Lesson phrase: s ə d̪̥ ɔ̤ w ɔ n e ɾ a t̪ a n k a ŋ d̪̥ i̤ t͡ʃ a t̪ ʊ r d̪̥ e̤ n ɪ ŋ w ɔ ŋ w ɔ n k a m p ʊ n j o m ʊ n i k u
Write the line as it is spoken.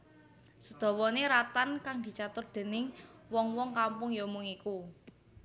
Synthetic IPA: s ə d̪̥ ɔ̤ w ɔ n e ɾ a t̪ a n k a ŋ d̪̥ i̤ t͡ʃ a t̪ ʊ r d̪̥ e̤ n ɪ ŋ w ɔ ŋ w ɔ ŋ k a m p ʊ ŋ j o m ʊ ŋ i k u